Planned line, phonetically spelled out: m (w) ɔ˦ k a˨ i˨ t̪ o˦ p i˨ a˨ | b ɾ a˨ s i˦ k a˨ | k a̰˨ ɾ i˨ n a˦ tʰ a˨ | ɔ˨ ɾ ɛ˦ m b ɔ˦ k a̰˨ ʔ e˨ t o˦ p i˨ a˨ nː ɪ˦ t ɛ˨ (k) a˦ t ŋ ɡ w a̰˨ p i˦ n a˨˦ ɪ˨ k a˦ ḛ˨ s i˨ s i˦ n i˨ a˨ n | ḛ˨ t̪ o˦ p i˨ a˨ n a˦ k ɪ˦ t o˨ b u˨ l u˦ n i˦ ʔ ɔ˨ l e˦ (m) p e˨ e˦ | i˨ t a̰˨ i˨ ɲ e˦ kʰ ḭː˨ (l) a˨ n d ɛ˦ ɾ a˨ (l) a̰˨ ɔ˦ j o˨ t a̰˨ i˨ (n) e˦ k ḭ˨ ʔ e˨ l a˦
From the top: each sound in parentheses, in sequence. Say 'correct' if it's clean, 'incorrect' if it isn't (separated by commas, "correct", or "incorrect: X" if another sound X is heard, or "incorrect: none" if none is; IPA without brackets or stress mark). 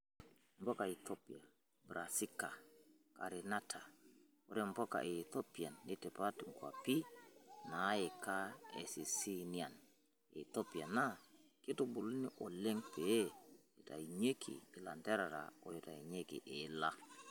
incorrect: b, incorrect: p, incorrect: ŋ, correct, incorrect: ɾ, incorrect: ɲ